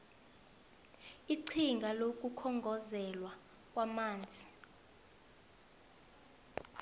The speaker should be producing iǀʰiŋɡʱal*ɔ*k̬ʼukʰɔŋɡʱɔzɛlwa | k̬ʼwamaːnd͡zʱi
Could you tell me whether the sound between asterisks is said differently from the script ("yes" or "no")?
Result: yes